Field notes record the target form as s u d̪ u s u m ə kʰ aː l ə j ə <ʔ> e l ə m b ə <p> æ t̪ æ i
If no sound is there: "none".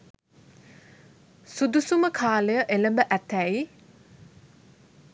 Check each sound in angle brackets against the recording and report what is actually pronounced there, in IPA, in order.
ʔ, ʔ

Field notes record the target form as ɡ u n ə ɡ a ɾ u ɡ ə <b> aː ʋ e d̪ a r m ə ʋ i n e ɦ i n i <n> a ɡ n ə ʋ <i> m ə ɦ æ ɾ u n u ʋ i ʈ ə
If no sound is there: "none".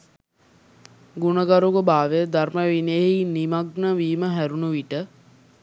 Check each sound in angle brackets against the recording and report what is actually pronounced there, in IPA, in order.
b, m, iː

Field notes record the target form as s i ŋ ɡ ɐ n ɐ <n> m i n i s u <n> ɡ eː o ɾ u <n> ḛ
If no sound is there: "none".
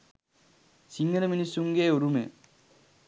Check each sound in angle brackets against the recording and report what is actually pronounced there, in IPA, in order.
none, ŋ, m

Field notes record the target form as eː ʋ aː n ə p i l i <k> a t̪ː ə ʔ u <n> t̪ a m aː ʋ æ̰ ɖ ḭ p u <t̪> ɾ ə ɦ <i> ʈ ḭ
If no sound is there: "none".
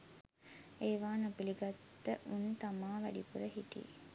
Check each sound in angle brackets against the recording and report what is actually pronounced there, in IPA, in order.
ɡ, n, none, i

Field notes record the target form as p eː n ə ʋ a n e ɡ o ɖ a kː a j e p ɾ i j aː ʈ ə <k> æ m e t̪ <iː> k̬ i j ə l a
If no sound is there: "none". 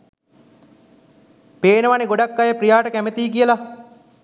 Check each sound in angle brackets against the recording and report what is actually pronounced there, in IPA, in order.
k, iː

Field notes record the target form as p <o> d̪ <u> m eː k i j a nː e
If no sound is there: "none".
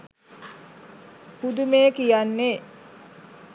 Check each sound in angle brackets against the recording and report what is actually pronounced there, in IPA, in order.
u, u

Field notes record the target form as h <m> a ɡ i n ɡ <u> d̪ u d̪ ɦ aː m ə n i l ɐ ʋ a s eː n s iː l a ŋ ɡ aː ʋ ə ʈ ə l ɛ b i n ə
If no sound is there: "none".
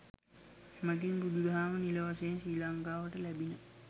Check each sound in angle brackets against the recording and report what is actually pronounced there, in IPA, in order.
m, u

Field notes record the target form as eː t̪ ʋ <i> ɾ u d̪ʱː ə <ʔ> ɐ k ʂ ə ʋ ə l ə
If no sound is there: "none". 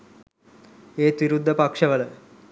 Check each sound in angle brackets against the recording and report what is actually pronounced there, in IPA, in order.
i, p

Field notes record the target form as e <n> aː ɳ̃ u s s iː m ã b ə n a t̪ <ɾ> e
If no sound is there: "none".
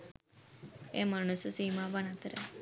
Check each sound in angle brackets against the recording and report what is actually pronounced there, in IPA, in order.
m, ɾ

